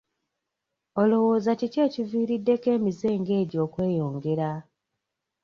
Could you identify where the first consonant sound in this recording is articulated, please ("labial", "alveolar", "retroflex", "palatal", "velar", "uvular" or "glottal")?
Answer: alveolar